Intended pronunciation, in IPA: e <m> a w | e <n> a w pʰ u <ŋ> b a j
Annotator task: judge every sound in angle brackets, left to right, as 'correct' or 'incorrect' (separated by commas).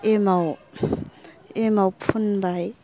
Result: correct, incorrect, incorrect